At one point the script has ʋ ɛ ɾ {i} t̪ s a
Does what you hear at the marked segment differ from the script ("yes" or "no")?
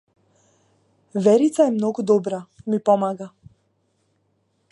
no